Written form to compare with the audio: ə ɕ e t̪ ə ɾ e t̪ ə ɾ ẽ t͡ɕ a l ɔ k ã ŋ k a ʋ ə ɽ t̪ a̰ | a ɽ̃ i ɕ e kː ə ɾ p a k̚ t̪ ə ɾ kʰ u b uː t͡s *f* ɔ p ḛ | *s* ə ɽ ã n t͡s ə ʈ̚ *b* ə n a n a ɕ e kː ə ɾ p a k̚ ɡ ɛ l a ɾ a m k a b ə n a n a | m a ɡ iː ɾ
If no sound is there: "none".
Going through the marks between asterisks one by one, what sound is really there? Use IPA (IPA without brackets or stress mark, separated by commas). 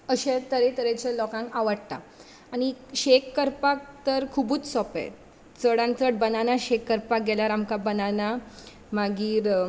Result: s, t͡s, b